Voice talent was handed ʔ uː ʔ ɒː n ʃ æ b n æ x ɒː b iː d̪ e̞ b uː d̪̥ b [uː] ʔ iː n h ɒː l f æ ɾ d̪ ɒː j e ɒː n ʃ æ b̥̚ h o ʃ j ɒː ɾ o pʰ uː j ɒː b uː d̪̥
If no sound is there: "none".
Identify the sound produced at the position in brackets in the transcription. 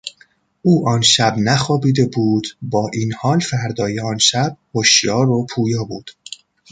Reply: ɒː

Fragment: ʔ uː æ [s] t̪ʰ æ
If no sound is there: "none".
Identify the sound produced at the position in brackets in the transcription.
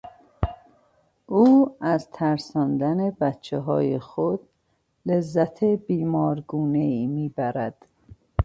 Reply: z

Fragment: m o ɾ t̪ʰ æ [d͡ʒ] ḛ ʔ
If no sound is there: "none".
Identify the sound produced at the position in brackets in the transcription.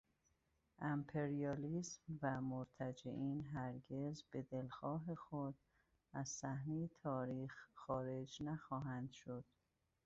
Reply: d͡ʒ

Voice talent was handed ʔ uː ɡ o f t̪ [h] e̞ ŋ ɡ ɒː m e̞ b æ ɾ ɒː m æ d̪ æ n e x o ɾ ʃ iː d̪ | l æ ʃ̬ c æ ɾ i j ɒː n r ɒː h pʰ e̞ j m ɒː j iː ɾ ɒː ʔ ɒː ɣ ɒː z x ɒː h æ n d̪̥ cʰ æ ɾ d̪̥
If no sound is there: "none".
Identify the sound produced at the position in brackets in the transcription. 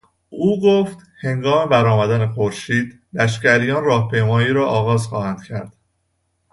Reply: h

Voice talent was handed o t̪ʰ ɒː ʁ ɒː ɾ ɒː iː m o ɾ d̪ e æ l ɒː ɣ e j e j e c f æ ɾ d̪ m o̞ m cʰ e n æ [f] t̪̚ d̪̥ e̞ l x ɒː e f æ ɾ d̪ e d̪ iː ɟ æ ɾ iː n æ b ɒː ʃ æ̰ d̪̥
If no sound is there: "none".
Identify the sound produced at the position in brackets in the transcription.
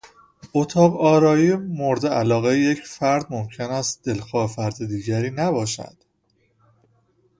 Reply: s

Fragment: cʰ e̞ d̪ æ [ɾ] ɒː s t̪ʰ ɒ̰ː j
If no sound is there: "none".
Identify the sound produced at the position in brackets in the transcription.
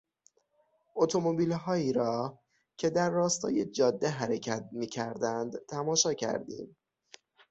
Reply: ɾː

